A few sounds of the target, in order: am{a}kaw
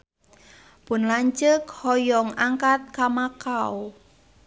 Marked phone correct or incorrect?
correct